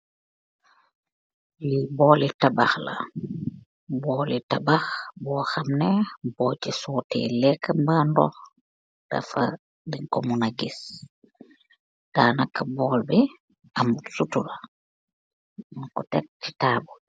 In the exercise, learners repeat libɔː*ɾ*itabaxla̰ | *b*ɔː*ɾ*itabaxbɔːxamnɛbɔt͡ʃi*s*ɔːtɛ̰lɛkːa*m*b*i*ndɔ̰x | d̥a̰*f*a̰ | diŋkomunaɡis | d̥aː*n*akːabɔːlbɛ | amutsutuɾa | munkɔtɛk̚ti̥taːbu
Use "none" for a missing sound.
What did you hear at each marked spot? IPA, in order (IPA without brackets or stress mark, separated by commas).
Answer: l, b, l, s, m, a, f, n